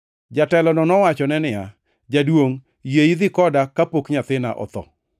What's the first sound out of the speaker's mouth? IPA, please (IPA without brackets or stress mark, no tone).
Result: d͡ʒ